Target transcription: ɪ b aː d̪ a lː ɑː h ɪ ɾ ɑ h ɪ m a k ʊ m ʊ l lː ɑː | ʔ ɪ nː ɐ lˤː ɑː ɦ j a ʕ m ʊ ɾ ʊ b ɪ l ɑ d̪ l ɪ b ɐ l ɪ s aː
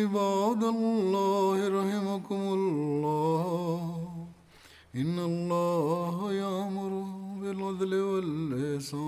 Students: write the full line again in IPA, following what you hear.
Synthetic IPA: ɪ b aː d̪ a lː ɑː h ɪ ɾ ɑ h ɪ m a k ʊ m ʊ l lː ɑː | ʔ ɪ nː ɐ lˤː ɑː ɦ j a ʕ m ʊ ɾ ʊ b ɪ l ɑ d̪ l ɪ w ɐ l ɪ s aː